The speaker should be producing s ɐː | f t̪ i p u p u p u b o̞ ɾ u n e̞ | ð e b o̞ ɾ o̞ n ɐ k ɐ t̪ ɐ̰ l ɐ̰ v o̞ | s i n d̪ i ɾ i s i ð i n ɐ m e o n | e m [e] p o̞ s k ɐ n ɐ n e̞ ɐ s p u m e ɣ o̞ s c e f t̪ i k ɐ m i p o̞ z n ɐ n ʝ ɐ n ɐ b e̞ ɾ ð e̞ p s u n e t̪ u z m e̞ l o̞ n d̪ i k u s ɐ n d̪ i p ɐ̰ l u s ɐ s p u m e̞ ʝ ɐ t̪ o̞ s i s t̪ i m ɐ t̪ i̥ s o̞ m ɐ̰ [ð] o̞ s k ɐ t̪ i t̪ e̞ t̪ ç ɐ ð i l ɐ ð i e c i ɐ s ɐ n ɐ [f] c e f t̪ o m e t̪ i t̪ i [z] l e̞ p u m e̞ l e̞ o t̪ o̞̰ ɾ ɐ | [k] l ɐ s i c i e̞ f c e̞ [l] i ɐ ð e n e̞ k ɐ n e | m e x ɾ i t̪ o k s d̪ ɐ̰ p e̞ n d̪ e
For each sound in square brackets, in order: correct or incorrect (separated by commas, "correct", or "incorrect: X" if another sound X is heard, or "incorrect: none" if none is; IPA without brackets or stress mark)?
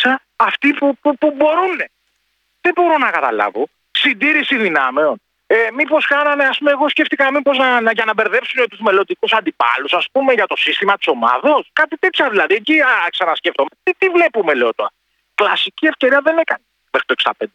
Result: incorrect: i, correct, incorrect: s, incorrect: v, correct, incorrect: ɾ